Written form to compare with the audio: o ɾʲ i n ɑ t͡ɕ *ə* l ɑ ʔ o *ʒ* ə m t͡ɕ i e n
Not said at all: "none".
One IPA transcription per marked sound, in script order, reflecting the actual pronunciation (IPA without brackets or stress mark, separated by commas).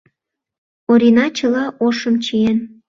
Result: ə, ʃ